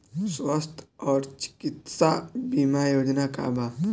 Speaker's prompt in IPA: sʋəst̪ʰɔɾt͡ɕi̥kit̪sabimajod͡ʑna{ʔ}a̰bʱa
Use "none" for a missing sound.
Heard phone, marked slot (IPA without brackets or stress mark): k